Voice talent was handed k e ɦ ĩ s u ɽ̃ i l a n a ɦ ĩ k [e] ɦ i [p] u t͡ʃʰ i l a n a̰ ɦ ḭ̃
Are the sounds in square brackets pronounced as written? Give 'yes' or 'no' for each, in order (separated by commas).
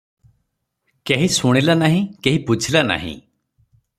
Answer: yes, yes